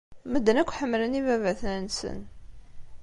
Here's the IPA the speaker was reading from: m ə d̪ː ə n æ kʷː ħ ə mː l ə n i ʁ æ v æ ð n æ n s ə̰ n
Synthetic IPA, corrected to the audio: m ə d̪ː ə n æ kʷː ħ ə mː l ə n i v æ v æ θ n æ n s ə̰ n